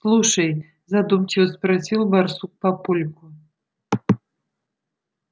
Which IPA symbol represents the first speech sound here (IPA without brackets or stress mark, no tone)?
s